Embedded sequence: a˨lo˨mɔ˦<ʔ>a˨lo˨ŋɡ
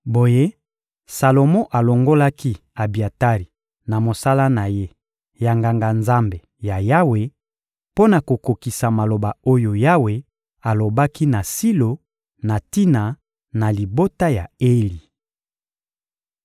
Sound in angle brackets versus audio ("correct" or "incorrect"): correct